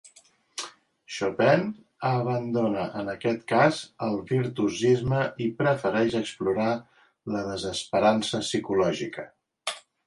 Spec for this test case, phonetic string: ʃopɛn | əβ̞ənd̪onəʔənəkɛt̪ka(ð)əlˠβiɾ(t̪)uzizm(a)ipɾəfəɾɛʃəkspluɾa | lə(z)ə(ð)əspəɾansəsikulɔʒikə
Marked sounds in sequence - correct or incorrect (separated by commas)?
incorrect, correct, incorrect, incorrect, incorrect